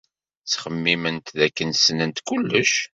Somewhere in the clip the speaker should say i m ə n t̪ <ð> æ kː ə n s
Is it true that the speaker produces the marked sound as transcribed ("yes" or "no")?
yes